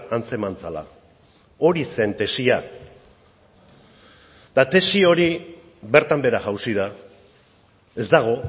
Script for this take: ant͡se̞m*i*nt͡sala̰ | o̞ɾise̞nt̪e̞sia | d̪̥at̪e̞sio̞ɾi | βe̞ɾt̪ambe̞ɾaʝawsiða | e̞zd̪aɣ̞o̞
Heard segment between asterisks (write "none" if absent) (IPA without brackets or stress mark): a